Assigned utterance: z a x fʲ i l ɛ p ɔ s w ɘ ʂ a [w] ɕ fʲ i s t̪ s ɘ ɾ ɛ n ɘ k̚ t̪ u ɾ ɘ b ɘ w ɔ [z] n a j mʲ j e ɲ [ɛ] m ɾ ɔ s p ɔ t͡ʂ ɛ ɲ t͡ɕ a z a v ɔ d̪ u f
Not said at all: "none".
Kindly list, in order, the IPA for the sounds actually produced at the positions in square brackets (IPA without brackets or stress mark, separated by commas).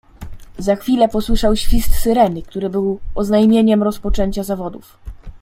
w, z, ɛ